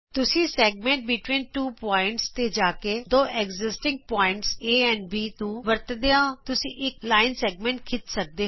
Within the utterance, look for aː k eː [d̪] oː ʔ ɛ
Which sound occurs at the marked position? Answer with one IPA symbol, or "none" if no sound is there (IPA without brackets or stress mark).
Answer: d̪